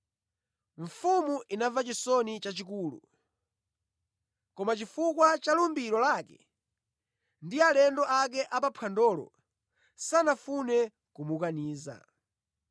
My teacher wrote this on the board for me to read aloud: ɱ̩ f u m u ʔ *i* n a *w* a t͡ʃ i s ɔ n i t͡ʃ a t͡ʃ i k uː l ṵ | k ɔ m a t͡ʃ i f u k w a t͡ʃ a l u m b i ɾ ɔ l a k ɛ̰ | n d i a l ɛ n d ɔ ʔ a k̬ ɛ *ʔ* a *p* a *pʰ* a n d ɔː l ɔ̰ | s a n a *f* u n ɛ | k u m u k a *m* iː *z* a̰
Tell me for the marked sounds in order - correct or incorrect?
correct, incorrect: v, correct, correct, correct, correct, incorrect: n, correct

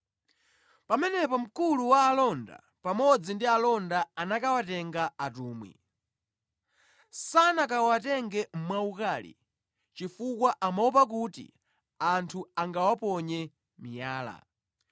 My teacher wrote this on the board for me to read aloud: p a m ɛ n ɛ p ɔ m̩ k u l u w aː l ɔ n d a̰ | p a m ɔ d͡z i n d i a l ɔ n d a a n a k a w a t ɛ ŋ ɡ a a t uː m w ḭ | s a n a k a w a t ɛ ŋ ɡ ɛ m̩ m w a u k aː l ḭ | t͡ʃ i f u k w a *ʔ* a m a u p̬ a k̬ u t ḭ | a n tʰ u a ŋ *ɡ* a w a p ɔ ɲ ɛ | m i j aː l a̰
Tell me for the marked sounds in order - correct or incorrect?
correct, correct

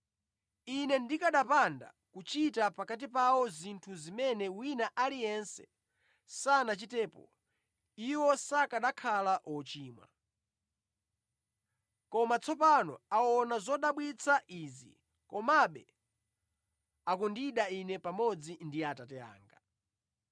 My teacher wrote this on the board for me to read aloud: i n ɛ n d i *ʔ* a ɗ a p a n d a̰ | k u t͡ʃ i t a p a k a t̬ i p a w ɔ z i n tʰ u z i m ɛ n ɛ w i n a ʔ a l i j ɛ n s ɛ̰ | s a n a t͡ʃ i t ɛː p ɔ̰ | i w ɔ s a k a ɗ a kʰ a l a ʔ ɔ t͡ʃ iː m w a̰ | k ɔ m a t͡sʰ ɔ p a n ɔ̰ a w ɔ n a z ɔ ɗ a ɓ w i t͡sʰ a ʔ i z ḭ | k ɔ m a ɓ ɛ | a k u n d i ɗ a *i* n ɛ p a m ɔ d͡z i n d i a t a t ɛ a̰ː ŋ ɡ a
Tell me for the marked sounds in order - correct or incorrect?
incorrect: k, correct

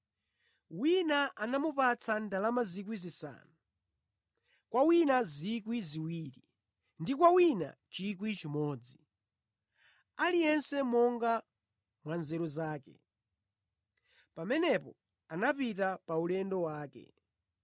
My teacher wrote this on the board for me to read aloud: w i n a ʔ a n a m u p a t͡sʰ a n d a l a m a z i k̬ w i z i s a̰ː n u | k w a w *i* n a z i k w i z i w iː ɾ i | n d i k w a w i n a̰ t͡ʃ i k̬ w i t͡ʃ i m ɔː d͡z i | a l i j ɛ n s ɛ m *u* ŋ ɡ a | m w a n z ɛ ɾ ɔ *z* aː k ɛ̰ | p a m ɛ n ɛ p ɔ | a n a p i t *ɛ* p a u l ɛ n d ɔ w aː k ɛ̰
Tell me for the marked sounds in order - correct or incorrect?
correct, incorrect: ɔ, correct, incorrect: a

